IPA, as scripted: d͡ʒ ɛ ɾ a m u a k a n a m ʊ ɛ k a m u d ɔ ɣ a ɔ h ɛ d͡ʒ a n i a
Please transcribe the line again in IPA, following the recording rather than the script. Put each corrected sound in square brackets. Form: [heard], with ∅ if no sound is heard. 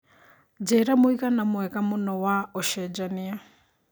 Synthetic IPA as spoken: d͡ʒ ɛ ɾ a m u [i] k a n a m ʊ ɛ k a m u [n] ɔ [w] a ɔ [ʃ] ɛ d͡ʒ a n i a